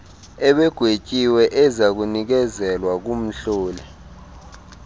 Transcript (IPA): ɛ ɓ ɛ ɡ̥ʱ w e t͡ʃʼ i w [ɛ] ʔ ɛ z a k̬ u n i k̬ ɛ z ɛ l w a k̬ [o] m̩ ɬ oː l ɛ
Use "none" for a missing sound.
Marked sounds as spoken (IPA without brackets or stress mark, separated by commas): ɛ, u